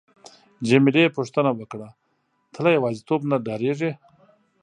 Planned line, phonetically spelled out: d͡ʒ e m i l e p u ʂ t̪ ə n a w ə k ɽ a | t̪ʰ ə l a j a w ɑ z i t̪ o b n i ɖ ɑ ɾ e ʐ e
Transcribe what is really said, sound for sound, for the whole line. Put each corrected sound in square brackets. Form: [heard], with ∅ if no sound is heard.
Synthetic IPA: d͡ʒ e m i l e p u ʂ t̪ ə n a w ə k ɽ a | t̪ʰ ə l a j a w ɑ z i t̪ o b n [a] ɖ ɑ ɾ e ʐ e